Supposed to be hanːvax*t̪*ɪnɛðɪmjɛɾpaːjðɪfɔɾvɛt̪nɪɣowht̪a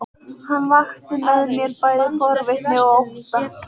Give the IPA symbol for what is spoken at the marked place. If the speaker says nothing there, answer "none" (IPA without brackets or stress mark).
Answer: t̪